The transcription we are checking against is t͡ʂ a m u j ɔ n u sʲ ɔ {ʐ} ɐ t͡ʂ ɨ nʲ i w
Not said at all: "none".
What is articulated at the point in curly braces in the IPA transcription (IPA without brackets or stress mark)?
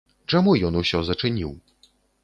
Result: z